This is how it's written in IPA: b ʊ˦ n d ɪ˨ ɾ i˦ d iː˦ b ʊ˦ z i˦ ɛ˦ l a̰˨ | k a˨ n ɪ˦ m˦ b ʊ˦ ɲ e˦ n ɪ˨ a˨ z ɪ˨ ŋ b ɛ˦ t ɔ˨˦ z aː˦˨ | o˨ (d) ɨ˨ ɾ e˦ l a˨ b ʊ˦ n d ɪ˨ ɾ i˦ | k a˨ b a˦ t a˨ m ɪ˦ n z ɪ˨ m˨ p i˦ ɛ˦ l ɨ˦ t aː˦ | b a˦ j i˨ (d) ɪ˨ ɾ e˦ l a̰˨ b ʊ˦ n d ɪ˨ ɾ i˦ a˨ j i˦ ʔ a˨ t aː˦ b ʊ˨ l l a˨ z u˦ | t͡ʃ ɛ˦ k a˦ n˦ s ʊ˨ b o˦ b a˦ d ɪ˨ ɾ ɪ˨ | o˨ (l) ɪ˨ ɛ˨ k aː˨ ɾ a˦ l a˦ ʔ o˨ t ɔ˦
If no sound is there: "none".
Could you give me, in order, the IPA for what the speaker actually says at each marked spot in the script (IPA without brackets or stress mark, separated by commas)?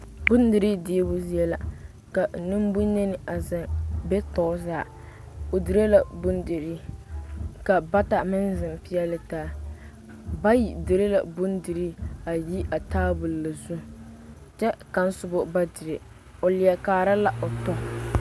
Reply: d, d, l